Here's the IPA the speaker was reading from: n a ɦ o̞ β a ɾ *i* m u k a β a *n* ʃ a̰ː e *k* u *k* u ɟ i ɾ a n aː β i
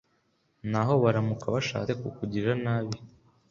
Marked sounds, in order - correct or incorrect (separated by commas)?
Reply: incorrect, incorrect, correct, correct